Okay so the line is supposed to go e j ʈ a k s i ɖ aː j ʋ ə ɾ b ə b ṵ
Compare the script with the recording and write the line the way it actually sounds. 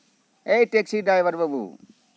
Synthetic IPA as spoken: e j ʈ e k s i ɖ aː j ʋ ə ɾ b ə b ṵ